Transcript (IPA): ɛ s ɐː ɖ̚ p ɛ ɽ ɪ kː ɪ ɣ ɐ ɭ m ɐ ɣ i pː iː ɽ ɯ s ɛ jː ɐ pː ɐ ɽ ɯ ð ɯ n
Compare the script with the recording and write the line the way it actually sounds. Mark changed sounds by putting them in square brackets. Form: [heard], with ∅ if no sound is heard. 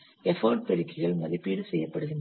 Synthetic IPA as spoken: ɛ [f] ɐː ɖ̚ p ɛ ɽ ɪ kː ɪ ɣ ɐ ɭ m ɐ [ð] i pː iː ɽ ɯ s ɛ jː ɐ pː ɐ ɽ ɯ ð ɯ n